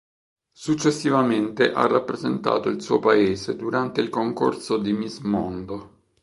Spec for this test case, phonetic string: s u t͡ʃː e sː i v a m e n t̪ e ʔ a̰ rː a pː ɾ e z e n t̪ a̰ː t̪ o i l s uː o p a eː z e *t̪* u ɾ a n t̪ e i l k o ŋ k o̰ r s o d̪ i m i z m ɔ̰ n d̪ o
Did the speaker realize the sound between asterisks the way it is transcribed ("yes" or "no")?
no